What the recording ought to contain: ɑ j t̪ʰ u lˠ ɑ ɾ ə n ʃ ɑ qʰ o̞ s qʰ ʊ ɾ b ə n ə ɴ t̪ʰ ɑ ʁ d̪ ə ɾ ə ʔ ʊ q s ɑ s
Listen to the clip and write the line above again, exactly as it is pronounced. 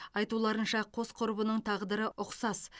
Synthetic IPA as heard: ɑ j t̪ u lˠ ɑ ɾ ə n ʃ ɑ qʰ o̞ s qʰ ʊ ɾ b ə n ə ɴ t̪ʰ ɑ ʁ d̪ ə ɾ ə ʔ ʊ q s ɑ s